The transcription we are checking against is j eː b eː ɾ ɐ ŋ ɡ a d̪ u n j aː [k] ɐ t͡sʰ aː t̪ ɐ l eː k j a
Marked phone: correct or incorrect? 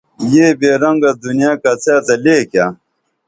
correct